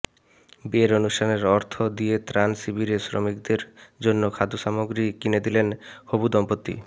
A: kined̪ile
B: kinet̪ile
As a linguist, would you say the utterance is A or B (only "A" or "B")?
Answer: A